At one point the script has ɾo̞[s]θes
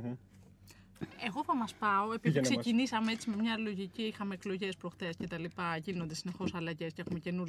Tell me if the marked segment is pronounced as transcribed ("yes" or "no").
no